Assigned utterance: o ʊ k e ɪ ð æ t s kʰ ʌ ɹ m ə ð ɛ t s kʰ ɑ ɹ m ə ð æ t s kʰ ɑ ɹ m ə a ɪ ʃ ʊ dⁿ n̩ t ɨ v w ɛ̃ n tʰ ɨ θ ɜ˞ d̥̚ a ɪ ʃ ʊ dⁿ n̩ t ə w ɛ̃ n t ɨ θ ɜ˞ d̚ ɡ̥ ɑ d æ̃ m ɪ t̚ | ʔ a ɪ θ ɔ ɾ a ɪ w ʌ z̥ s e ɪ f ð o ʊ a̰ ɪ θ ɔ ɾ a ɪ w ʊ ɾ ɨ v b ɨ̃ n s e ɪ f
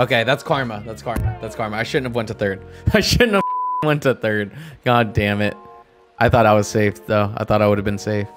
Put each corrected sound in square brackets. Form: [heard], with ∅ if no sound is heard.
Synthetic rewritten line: o ʊ k e ɪ ð æ t s kʰ [ɑ] ɹ m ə ð [æ] t s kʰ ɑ ɹ m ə ð æ t s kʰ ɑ ɹ m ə a ɪ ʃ ʊ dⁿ n̩ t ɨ v w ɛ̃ n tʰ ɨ θ ɜ˞ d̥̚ a ɪ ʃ ʊ dⁿ n̩ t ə w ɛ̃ n t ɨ θ ɜ˞ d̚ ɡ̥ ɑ d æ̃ m ɪ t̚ | ʔ a ɪ θ ɔ ɾ a ɪ w ʌ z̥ s e ɪ f ð o ʊ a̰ ɪ θ ɔ ɾ a ɪ w ʊ ɾ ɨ v b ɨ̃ n s e ɪ f